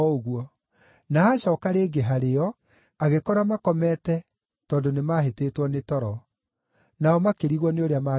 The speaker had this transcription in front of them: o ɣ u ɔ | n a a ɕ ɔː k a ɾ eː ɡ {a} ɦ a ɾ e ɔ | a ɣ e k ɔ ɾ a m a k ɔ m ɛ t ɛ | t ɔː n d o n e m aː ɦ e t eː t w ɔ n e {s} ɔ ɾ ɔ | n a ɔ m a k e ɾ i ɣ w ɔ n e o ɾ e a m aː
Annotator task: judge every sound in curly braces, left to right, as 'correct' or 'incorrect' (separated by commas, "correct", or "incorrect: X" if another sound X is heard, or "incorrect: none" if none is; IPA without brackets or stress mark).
incorrect: e, incorrect: t